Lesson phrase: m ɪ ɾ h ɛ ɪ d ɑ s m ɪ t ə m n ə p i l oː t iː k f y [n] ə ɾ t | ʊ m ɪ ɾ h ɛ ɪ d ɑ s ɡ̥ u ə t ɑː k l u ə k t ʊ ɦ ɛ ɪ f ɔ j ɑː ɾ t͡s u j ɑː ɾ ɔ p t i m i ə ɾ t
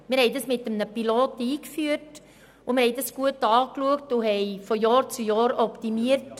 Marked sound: incorrect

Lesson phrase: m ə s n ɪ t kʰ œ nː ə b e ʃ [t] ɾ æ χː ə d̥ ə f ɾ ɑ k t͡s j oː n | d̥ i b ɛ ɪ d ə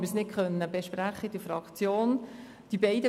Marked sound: incorrect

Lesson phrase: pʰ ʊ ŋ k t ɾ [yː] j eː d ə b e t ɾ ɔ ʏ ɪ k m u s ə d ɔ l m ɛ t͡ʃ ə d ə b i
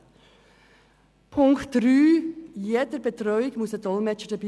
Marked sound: correct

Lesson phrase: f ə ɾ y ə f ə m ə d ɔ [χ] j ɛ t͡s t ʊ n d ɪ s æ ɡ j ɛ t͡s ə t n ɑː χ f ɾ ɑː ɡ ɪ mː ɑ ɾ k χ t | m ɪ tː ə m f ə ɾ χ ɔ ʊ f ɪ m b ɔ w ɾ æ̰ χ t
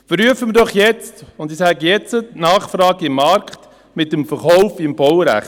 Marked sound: correct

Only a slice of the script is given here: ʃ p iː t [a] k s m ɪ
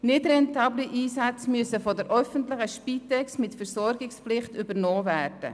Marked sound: incorrect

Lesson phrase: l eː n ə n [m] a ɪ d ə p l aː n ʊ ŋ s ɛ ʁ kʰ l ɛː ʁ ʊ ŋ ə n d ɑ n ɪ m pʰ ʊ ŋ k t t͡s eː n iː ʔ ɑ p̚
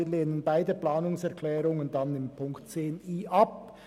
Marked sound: incorrect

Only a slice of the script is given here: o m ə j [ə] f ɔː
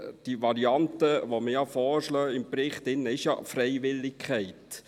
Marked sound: incorrect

